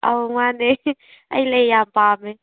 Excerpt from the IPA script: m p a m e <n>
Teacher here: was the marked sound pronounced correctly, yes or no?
no